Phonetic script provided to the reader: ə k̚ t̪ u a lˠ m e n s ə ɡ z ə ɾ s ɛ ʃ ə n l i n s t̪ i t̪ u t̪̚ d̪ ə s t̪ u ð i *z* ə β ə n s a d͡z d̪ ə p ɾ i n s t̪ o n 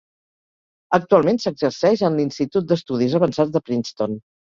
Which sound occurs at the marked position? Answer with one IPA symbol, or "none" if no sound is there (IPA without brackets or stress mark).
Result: z